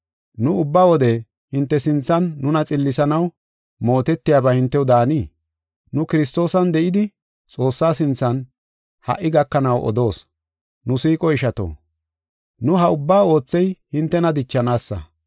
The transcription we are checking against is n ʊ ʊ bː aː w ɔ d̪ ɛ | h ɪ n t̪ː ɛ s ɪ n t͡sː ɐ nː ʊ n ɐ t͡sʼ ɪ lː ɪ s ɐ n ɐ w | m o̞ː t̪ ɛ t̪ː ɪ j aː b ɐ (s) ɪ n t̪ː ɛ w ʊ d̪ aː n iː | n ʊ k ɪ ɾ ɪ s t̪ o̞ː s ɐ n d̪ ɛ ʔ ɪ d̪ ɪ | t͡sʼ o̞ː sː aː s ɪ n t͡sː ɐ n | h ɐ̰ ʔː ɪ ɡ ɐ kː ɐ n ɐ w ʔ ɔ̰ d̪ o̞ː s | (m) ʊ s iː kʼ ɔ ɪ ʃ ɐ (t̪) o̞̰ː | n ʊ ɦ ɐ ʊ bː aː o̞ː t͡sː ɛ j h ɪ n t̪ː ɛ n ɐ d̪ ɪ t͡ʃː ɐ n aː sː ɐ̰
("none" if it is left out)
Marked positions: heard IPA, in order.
h, n, t̪

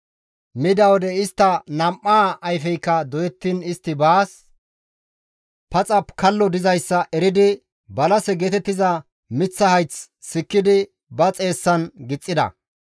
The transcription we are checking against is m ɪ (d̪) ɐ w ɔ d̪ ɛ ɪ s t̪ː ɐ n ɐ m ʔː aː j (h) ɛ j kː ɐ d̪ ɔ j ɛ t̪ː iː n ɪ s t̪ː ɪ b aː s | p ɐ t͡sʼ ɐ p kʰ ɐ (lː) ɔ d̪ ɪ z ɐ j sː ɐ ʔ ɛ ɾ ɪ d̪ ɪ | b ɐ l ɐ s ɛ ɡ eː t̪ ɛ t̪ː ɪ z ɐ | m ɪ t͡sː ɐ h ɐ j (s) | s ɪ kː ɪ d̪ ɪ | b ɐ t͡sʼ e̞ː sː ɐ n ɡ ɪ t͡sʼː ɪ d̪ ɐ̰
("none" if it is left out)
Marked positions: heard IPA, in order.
d̪, f, lː, t͡s

